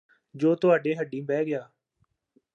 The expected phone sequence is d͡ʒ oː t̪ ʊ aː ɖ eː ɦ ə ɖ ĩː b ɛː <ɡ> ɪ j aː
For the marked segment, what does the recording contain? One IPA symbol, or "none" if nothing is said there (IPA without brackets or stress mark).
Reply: ɡ